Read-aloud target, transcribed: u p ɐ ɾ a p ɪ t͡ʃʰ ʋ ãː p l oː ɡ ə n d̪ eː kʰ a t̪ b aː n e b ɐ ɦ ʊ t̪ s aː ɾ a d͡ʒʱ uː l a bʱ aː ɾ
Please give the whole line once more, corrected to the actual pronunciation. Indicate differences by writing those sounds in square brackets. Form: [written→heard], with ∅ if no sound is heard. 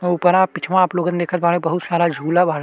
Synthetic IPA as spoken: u p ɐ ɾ a p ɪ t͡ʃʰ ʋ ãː p l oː ɡ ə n d̪ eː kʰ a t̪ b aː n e b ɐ ɦ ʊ t̪ s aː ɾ a d͡ʒʱ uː l a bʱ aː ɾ